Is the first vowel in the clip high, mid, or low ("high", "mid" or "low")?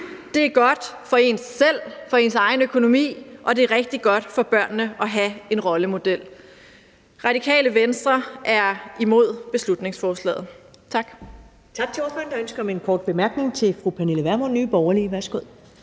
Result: mid